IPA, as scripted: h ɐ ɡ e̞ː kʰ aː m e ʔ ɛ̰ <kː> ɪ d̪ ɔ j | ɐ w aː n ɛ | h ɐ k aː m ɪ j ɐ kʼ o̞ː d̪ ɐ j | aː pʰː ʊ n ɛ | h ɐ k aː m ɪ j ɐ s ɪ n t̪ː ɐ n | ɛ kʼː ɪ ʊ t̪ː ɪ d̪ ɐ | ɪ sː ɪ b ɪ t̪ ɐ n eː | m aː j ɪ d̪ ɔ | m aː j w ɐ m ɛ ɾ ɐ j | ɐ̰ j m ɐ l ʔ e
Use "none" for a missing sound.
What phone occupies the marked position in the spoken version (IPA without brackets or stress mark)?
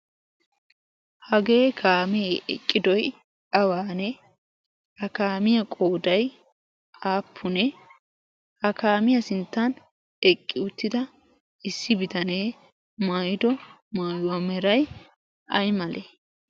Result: kʼː